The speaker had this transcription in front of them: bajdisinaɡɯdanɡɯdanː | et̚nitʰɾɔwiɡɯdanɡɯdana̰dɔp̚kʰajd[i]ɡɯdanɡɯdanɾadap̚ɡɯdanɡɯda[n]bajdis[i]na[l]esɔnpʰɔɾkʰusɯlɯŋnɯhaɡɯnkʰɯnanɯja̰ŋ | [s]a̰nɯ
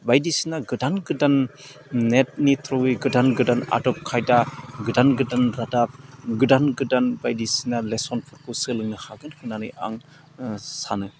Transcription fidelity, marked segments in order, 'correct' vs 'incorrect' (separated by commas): incorrect, correct, correct, correct, correct